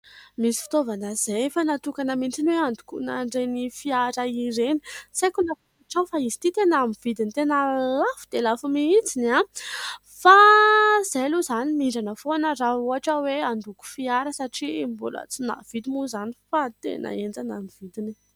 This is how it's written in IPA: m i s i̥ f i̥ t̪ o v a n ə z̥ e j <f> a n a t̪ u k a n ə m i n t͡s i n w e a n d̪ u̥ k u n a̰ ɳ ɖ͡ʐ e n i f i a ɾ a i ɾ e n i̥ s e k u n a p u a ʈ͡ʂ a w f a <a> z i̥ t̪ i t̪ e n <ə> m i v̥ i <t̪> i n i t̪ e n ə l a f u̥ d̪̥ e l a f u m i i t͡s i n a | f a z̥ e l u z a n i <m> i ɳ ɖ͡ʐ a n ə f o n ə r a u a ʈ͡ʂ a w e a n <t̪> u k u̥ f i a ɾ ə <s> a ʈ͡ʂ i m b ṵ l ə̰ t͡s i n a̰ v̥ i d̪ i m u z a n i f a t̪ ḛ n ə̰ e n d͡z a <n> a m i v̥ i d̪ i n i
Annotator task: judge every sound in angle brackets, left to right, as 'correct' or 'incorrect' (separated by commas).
correct, incorrect, incorrect, incorrect, correct, incorrect, correct, correct